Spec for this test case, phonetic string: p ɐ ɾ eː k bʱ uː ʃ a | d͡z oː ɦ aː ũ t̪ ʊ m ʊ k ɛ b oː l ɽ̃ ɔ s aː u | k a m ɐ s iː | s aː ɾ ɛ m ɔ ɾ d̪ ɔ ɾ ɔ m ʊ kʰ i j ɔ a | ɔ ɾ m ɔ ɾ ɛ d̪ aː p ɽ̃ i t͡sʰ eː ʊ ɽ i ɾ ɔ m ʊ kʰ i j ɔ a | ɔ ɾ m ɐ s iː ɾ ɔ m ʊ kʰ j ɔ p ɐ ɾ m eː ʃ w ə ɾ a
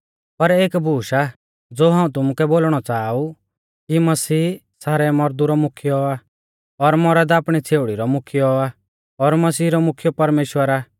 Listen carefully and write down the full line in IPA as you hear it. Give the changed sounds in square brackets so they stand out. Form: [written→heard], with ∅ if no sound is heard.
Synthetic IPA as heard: p ɐ ɾ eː k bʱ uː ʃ a | d͡z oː ɦ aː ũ t̪ ʊ m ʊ k ɛ b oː l ɽ̃ ɔ [s→t͡s] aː u | k [a→i] m ɐ s iː | s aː ɾ ɛ m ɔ ɾ d̪ [ɔ→u] ɾ ɔ m ʊ kʰ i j ɔ a | ɔ ɾ m ɔ ɾ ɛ d̪ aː p ɽ̃ i t͡sʰ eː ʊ ɽ i ɾ ɔ m ʊ kʰ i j ɔ a | ɔ ɾ m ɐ s iː ɾ ɔ m ʊ kʰ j ɔ p ɐ ɾ m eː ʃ w ə ɾ a